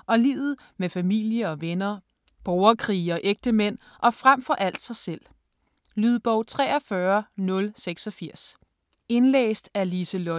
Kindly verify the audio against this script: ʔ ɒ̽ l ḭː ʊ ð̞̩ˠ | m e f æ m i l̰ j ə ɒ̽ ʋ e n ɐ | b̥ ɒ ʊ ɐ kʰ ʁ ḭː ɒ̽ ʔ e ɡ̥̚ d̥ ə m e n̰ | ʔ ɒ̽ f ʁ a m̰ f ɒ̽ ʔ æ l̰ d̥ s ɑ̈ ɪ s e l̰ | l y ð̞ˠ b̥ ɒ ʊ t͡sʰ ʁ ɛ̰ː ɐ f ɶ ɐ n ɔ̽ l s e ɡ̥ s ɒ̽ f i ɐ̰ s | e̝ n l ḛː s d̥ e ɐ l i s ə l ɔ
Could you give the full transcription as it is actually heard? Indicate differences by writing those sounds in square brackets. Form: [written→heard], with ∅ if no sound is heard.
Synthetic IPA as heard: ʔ ɒ̽ l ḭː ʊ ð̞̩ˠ | m e f æ m i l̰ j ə ɒ̽ ʋ e n ɐ | b̥ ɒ ʊ ɐ kʰ ʁ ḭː ɒ̽ ʔ e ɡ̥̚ d̥ ə m e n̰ | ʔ ɒ̽ f ʁ a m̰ f ɒ̽ ʔ æ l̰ d̥ s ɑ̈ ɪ s e l̰ | l y ð̞ˠ b̥ ɒ ʊ t͡sʰ ʁ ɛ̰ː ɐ f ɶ ɐ n ɔ̽ l s e ɡ̥ s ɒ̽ f i ɐ̰ s | e̝ n l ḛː s d̥ [e→æ] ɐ l i s ə l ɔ